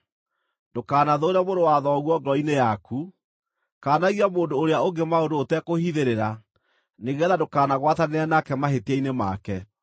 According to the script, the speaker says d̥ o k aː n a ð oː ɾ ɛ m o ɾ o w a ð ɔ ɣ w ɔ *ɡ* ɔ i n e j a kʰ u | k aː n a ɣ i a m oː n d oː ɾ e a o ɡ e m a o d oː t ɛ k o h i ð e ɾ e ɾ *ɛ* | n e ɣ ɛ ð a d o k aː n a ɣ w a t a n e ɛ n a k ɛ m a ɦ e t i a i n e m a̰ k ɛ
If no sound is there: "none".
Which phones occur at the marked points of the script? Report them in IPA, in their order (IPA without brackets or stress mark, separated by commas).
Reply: ɡ, a